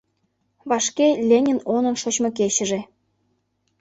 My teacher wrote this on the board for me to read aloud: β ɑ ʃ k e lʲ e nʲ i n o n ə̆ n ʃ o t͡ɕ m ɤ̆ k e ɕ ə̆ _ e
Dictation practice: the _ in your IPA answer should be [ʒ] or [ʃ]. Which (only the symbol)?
ʒ